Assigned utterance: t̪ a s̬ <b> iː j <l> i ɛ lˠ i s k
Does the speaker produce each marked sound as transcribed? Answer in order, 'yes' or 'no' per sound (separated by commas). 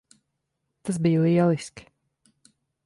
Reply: yes, yes